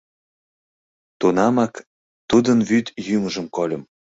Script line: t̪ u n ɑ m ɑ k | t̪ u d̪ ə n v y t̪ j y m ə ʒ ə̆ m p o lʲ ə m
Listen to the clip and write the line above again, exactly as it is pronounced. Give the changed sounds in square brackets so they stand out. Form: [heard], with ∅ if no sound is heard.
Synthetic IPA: t̪ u n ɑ m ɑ k | t̪ u d̪ ə n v y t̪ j y m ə ʒ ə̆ m [k] o lʲ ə m